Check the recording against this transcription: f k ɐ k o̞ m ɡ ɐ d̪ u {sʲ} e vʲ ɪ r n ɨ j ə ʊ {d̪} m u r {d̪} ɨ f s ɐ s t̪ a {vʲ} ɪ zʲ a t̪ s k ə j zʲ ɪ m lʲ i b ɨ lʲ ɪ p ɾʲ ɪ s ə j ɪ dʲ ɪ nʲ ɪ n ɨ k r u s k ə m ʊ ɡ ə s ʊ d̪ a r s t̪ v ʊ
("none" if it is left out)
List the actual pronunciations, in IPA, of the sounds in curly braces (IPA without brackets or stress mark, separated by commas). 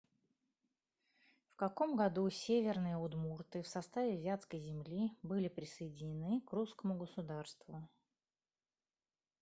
sʲ, d̪, t̪, vʲ